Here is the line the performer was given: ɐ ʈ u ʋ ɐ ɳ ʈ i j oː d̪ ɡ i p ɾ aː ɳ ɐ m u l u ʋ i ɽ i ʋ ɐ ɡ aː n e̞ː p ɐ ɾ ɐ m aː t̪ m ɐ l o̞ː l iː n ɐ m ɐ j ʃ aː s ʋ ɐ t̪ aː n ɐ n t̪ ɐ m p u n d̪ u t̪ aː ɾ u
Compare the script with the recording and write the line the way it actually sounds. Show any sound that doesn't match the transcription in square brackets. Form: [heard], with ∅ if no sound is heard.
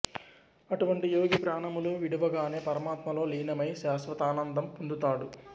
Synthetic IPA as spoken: ɐ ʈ u ʋ ɐ ɳ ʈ i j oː [∅] ɡ i p ɾ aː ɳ ɐ m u l u ʋ i ɽ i ʋ ɐ ɡ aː n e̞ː p ɐ ɾ ɐ m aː t̪ m ɐ l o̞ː l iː n ɐ m ɐ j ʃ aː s ʋ ɐ t̪ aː n ɐ n [d̪] ɐ m p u n d̪ u t̪ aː [ɽ] u